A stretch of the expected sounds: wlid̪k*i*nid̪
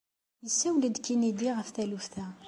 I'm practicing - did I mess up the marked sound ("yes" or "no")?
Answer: no